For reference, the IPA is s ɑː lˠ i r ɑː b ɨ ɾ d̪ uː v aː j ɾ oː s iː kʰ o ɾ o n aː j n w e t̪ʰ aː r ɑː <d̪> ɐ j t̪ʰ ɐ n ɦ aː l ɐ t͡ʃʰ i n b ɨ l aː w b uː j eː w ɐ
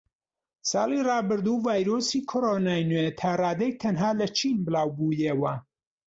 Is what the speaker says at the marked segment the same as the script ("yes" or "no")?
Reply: yes